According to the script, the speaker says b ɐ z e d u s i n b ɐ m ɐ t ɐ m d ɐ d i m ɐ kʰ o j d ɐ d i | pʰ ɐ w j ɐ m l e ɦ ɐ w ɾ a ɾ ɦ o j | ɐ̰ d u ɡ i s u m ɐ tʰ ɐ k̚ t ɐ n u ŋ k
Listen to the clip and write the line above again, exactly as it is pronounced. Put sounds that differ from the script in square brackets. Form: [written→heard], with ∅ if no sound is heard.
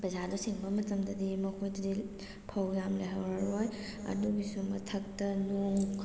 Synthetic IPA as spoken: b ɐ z [e→a] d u s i [n→ŋ] b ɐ m ɐ t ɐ m d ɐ d i m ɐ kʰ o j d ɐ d i | pʰ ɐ w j [ɐ→a] m l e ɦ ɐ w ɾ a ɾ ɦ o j | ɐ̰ d u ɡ i s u m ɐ tʰ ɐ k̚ t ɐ n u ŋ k